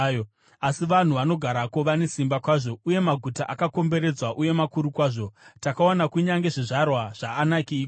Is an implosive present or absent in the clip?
absent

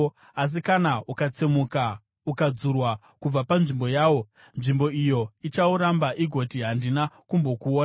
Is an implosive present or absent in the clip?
absent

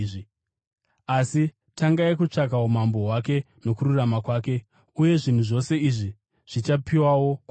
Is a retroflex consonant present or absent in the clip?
present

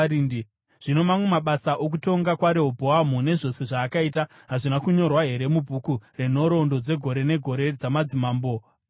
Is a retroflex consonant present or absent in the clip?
present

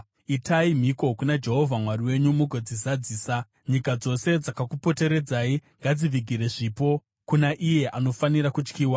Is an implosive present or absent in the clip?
absent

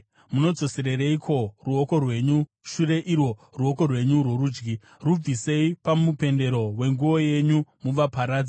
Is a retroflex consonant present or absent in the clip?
absent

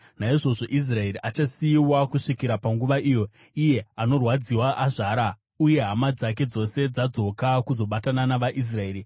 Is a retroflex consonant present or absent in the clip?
present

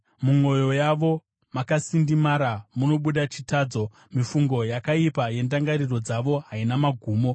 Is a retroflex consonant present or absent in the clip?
absent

